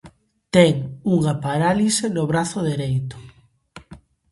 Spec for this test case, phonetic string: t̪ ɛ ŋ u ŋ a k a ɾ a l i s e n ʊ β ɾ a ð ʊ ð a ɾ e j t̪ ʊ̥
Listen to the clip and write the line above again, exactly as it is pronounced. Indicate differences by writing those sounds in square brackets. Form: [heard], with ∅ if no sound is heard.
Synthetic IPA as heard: t̪ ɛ ŋ u ŋ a [p] a ɾ a l i s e n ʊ β ɾ a [θ] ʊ ð [e] ɾ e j t̪ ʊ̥